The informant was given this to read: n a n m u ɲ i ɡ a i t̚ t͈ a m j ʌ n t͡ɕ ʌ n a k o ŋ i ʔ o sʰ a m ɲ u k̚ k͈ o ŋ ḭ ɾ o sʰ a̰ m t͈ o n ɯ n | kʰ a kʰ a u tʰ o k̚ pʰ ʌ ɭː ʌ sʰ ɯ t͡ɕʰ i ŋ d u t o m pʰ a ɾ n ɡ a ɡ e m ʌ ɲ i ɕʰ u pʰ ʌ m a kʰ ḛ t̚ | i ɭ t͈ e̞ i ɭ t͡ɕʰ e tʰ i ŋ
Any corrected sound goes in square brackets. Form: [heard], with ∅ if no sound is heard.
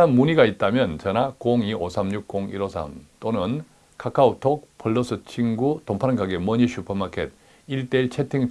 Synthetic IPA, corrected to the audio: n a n m u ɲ i ɡ a i t̚ t͈ a m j ʌ n t͡ɕ ʌ n a k o ŋ i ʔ o sʰ a m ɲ u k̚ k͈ o ŋ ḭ ɾ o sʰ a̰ m t͈ o n ɯ n | kʰ a kʰ a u tʰ o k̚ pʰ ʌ ɭː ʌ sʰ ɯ t͡ɕʰ i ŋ [ɡ] u t o m pʰ a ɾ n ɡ a ɡ e m ʌ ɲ i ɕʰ u pʰ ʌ m a kʰ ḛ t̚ | i ɭ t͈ e̞ i ɭ t͡ɕʰ e tʰ i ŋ